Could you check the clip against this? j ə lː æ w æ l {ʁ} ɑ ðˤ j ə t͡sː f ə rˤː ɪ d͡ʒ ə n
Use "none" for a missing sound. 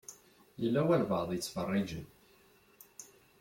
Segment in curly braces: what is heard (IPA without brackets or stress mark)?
v